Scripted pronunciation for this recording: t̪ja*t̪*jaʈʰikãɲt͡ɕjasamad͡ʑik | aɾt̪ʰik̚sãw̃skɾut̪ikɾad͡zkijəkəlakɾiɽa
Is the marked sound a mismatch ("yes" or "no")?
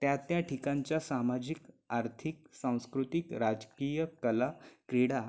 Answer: no